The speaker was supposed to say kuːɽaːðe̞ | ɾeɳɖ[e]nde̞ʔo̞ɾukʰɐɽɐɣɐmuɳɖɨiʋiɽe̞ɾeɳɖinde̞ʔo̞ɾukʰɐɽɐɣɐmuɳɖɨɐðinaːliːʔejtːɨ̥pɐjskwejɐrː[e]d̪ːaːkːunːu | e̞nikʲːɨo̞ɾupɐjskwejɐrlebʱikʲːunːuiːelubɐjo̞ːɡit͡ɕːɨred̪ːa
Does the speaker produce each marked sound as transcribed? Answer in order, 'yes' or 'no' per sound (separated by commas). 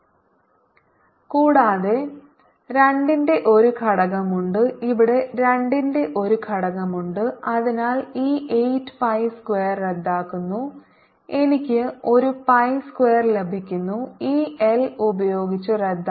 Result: no, yes